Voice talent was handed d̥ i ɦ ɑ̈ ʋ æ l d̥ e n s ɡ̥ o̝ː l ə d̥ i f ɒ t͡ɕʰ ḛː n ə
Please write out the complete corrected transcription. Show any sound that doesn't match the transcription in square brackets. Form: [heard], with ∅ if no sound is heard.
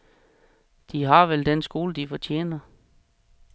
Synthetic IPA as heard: d̥ i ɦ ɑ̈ ʋ [e] l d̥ e n s ɡ̥ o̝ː l ə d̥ i f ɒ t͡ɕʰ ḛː n [ɐ]